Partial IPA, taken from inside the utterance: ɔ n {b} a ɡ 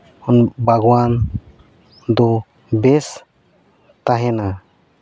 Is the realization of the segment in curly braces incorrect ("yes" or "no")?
no